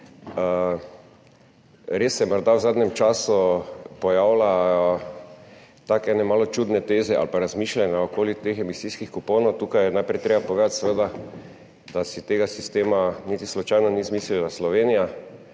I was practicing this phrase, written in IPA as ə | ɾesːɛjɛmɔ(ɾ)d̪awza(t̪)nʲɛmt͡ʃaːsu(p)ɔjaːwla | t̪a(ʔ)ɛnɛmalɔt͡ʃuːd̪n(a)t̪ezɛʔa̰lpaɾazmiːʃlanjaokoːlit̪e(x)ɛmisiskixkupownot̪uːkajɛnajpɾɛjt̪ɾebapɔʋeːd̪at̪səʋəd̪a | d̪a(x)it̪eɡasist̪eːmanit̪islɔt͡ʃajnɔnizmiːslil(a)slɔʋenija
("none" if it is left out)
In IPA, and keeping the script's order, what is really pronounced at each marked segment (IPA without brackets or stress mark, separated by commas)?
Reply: ɾ, d̪, p, k, ɛ, x, s, a